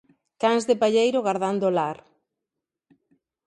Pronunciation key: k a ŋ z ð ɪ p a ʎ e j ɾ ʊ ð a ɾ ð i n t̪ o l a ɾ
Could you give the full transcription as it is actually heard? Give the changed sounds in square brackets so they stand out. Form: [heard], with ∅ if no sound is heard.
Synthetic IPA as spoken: k a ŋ z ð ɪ p a ʎ e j ɾ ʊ [ɣ] a ɾ ð [a] n [d̪] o l a ɾ